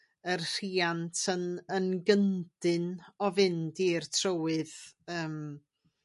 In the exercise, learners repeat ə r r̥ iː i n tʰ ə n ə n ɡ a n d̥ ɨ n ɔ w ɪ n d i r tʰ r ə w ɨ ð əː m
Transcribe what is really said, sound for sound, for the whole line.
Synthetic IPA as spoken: ə r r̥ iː a n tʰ ə n ə n ɡ ə n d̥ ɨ n ɔ v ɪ n d i r tʰ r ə w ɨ ð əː m

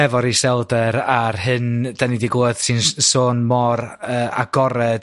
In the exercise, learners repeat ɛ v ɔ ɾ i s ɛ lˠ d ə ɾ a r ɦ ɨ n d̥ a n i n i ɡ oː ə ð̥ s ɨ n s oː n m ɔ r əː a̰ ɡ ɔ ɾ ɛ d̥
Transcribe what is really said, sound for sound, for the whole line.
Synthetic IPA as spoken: ɛ v ɔ ɾ i s ɛ lˠ d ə ɾ a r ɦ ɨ n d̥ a n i d i ɡ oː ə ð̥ s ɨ n s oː n m ɔ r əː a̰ ɡ ɔ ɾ ɛ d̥

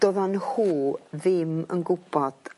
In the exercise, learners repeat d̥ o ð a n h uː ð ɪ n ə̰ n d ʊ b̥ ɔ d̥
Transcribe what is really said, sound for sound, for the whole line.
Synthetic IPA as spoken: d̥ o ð a n h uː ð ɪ m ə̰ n ɡ ʊ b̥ ɔ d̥

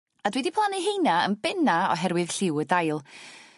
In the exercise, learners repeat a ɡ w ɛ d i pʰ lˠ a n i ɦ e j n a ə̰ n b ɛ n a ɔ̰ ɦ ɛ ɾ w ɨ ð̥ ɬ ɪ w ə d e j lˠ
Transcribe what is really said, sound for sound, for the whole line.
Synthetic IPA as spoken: a d w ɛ d i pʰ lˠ a n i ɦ e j n a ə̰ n b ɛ n a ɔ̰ ɦ ɛ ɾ w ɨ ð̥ ɬ ɪ w ə d a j lˠ

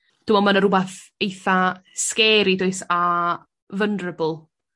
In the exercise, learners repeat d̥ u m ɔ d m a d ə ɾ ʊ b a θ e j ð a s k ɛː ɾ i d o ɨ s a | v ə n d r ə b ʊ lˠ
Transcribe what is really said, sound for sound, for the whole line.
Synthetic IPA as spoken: d̥ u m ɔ m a n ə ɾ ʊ b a θ e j θ a s k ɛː ɾ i d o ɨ s a | v ə n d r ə b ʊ lˠ

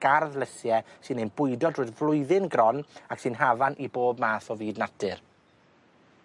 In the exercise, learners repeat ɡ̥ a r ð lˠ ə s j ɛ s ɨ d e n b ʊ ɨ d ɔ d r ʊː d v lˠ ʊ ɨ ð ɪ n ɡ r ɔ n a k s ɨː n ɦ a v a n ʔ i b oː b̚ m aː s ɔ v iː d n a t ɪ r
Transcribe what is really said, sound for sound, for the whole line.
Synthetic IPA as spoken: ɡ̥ a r ð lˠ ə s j ɛ s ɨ n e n b ʊ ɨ d ɔ d r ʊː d v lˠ ʊ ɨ ð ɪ n ɡ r ɔ n a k s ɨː n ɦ a v a n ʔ i b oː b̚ m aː θ ɔ v iː d n a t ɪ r

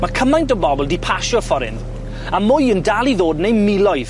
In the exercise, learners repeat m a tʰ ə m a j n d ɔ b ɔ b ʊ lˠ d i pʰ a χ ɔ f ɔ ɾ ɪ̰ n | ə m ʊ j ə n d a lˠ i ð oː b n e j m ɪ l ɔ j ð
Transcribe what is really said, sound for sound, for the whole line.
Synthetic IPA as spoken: m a kʰ ə m a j n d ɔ b ɔ b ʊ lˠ d i pʰ a ʃ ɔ f ɔ ɾ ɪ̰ n | a m ʊ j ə n d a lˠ i ð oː d n e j m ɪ l ɔ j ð

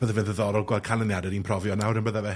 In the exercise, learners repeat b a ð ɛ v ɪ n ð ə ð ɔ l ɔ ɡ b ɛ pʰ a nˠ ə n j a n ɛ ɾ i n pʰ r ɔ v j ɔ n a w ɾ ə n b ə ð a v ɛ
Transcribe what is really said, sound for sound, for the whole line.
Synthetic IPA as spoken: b ə ð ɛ v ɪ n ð ə ð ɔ ɾ ɔ ɡ w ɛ kʰ a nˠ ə n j a d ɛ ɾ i n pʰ r ɔ v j ɔ n a w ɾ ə n b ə ð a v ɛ

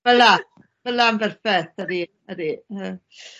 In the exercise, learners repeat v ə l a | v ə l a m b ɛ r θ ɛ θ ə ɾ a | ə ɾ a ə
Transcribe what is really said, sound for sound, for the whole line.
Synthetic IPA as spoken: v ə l a | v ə l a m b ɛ r f ɛ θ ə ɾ i | ə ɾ i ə

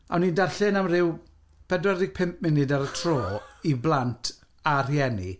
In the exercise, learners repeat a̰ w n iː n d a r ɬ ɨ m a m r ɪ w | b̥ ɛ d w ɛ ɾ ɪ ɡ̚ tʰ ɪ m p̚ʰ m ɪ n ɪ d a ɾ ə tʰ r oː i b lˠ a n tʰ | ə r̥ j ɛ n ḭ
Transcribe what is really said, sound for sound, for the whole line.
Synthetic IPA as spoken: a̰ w n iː n d a r ɬ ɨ n a m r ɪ w | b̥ ɛ d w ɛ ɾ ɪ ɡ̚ pʰ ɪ m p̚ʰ m ɪ n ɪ d a ɾ ə tʰ r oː i b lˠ a n tʰ | a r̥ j ɛ n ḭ

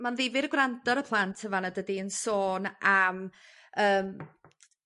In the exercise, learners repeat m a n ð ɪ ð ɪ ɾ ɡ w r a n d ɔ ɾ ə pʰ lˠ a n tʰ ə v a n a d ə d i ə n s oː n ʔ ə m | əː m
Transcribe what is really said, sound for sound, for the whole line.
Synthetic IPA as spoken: m a n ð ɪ v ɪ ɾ ɡ w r a n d ɔ ɾ ə pʰ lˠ a n tʰ ə v a n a d ə d i ə n s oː n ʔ a m | əː m

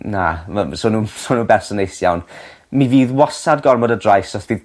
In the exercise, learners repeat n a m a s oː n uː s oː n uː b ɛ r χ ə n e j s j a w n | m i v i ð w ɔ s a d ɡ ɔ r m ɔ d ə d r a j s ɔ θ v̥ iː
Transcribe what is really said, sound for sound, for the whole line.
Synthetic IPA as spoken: n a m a s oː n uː s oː n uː b ɛ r s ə n e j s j a w n | m i v iː ð w ɔ s a d ɡ ɔ r m ɔ d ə d r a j s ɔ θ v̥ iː

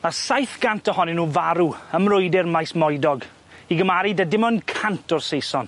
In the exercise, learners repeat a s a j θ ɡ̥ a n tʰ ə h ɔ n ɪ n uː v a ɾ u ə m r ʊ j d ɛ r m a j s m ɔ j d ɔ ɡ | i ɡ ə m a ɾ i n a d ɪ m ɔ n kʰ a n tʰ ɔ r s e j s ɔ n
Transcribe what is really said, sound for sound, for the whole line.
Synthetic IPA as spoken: a s a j θ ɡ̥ a n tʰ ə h ɔ n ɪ n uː v a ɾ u ə m r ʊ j d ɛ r m a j s m ɔ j d ɔ ɡ | i ɡ ə m a ɾ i d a d ɪ m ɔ n kʰ a n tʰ ɔ r s e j s ɔ n

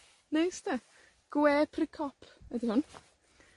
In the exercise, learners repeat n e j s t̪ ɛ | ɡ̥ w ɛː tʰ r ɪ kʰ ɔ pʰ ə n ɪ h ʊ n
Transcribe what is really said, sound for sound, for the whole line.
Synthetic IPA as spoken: n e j s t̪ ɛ | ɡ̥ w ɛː pʰ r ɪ kʰ ɔ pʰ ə d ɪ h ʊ n

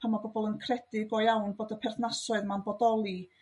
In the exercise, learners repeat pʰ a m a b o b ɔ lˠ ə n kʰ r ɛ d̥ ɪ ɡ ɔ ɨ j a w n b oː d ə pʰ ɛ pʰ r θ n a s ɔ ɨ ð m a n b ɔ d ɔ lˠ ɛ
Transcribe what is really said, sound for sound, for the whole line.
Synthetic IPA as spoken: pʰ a m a b ɔ b ɔ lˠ ə n kʰ r ɛ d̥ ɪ ɡ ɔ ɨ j a w n b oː d ə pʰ ɛ r θ n a s ɔ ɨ ð m a n b ɔ d ɔ lˠ i

